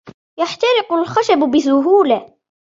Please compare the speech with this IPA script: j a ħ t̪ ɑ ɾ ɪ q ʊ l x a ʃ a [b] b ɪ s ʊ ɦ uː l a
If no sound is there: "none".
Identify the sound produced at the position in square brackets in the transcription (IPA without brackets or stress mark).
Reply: b